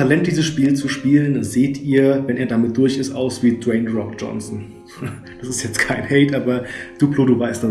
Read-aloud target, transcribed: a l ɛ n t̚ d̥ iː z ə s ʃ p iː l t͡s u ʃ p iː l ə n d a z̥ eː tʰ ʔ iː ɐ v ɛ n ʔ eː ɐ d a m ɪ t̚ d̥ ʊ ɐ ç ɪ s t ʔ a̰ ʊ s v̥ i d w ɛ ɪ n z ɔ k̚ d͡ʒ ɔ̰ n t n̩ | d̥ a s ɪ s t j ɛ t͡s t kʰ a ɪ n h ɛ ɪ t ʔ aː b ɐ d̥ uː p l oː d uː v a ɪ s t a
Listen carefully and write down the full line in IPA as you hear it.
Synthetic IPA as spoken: a l ɛ n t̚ d̥ iː z ə s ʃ p iː l t͡s u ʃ p iː l ə n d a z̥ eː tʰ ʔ iː ɐ v ɛ n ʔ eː ɐ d a m ɪ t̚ d̥ ʊ ɐ ç ɪ s t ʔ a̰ ʊ s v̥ iː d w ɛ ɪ n ʁ ɔ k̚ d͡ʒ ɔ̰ n s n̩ | d̥ a s ɪ s t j ɛ t͡s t kʰ a ɪ n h ɛ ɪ t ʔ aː b ɐ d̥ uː p l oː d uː v a ɪ s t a